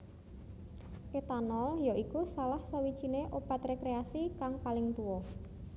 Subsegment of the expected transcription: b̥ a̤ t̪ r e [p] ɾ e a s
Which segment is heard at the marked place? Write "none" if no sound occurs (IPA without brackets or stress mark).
k